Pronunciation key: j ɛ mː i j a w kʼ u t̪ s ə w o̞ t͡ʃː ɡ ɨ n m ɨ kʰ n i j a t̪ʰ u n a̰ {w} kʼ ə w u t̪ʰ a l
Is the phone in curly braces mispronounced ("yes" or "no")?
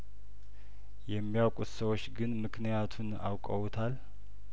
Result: no